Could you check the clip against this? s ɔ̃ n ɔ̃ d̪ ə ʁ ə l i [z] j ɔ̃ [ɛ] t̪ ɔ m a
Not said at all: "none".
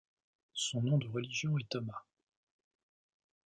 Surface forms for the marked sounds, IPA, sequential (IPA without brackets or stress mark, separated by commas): ʒ, ɛ